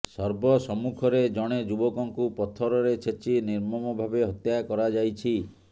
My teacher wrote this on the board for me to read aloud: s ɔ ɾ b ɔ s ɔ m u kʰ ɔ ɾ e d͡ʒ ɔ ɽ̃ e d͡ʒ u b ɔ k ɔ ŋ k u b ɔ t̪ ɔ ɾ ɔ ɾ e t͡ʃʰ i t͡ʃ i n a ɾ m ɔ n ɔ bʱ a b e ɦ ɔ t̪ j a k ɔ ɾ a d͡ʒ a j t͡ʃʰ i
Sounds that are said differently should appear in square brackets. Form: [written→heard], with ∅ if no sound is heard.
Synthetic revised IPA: s ɔ ɾ b ɔ s ɔ m u kʰ ɔ ɾ e d͡ʒ ɔ ɽ̃ e d͡ʒ u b ɔ k ɔ ŋ k u [b→p] ɔ [t̪→t̪ʰ] ɔ ɾ ɔ ɾ e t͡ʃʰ [i→e] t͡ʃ i n [a→i] ɾ m ɔ [n→m] ɔ bʱ a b e ɦ ɔ t̪ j a k ɔ ɾ a d͡ʒ a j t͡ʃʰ i